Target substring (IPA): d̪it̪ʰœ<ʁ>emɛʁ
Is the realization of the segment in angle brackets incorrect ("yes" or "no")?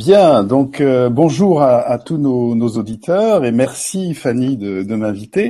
no